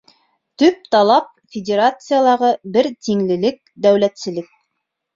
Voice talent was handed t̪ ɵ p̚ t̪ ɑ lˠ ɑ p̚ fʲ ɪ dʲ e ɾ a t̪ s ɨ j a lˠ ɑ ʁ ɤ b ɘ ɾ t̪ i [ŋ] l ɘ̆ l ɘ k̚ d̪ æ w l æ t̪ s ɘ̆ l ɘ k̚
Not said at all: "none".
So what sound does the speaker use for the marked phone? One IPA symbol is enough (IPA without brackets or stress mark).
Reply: ŋ